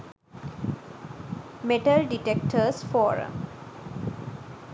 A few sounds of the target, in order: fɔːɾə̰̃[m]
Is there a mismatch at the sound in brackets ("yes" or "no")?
no